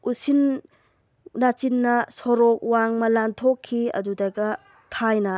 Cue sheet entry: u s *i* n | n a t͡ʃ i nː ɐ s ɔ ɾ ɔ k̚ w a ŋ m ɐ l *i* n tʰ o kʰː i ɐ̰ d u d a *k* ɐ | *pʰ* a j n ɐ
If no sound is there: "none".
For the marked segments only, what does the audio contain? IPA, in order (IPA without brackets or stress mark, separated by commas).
i, a, ɡ, tʰ